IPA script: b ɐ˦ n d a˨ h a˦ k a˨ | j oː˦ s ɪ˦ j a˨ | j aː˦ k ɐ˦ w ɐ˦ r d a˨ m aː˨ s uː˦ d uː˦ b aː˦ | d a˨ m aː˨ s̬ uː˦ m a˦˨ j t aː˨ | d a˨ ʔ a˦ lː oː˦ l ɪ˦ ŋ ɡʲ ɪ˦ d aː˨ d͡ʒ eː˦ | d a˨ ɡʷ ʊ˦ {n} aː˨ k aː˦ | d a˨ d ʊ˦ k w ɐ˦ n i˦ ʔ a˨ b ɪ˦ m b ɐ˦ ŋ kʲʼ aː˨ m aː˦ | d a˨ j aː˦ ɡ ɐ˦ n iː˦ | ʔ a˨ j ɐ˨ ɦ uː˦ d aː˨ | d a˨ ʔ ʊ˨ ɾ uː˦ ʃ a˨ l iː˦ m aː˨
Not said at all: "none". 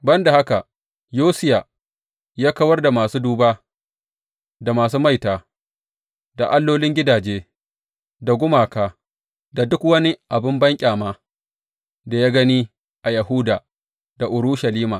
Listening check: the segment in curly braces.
m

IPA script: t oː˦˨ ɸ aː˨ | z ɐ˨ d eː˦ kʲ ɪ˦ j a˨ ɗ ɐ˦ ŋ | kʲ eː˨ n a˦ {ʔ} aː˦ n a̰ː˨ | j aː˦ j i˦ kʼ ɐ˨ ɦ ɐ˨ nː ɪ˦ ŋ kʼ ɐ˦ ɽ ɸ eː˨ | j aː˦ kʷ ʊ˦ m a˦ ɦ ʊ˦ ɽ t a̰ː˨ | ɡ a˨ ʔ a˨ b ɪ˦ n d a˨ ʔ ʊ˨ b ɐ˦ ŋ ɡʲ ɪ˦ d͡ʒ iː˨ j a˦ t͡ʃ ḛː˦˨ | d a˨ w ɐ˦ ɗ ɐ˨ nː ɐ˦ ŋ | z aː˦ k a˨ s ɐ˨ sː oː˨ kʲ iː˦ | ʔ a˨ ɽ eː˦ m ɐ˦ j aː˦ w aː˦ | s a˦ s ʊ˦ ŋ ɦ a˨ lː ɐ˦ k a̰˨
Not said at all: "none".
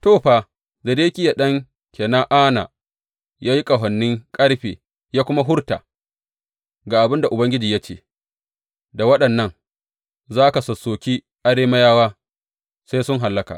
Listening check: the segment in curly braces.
ʔ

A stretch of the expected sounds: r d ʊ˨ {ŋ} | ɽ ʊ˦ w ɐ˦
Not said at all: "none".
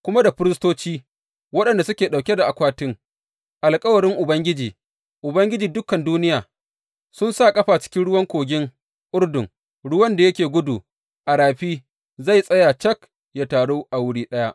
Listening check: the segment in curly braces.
ŋ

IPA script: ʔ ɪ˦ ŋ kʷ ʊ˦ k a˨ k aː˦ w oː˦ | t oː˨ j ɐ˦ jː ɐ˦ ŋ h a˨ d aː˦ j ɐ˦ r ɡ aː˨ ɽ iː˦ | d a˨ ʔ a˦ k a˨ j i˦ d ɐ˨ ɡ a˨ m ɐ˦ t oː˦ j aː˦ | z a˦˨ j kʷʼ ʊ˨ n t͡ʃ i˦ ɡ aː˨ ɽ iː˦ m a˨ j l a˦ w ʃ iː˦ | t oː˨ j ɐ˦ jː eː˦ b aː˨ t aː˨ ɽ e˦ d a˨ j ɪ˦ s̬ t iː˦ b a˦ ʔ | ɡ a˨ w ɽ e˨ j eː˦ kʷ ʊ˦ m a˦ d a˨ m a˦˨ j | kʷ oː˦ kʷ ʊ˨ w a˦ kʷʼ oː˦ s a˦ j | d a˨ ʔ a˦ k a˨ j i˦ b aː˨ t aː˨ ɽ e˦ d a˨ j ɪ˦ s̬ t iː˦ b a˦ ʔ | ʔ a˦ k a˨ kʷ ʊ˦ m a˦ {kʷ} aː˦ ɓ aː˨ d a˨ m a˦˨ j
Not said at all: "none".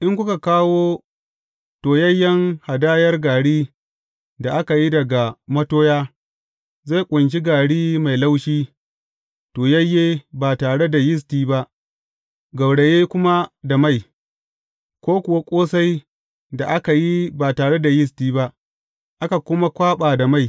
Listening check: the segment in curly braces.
kʷ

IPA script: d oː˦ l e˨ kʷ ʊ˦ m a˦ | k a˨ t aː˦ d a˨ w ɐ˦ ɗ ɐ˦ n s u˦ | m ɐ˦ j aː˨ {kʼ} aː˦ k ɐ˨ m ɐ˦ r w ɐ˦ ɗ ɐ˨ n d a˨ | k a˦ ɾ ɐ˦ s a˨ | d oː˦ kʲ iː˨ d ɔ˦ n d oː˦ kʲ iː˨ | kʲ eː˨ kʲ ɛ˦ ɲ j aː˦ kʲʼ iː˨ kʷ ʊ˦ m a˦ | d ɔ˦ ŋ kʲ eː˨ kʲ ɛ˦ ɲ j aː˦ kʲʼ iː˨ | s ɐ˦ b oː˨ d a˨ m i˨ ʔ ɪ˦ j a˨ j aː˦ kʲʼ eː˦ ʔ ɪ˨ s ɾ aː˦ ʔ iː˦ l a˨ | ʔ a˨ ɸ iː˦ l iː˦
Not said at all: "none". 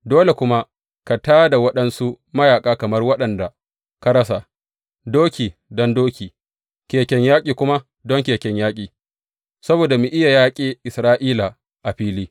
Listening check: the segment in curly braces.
kʼ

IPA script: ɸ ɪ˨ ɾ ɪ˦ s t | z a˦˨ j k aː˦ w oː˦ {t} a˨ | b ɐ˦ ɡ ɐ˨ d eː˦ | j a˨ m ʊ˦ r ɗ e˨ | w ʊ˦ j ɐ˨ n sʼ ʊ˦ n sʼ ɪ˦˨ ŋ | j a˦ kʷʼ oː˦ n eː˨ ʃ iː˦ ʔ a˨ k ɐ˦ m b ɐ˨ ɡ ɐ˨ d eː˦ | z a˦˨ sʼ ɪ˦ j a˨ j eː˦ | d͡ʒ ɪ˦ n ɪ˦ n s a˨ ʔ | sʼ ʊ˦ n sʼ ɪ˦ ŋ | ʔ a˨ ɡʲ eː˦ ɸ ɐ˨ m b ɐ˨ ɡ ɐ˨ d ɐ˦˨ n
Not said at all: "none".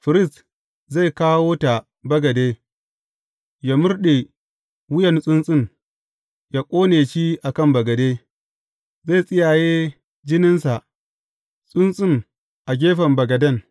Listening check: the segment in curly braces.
t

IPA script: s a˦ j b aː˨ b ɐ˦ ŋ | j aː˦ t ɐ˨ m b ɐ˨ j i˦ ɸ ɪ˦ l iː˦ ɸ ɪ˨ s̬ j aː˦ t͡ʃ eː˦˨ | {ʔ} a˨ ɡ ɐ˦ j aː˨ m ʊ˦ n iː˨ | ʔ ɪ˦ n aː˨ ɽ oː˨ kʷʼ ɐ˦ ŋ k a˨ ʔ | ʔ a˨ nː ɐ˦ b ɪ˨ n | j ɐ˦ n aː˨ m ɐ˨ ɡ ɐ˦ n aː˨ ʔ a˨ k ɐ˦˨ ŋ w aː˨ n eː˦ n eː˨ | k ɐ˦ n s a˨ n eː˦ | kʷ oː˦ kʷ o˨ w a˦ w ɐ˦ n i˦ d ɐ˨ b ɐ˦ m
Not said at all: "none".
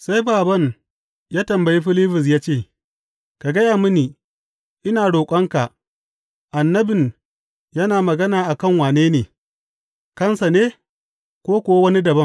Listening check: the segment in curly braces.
k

